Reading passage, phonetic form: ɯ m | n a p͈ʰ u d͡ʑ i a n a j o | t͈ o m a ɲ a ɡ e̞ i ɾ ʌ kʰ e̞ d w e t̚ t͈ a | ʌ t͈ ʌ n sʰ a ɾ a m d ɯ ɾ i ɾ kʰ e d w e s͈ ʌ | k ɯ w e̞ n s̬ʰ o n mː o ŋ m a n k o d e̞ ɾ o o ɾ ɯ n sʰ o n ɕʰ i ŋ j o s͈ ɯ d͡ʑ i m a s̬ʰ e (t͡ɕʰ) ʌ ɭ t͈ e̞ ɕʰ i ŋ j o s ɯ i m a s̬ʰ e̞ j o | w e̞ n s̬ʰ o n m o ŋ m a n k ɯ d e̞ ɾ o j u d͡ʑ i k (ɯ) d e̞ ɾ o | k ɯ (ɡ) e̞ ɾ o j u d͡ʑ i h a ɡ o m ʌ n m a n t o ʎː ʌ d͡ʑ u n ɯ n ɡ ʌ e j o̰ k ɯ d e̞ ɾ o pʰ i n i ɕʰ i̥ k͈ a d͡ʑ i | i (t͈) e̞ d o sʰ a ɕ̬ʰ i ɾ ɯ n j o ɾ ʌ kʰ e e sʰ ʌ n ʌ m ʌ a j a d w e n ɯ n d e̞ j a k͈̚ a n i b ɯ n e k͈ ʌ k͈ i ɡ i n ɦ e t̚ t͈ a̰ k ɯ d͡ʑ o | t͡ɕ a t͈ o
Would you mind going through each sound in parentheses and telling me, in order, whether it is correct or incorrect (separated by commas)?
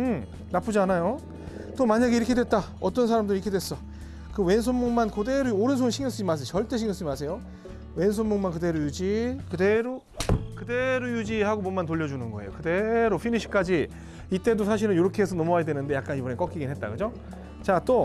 incorrect, correct, incorrect, correct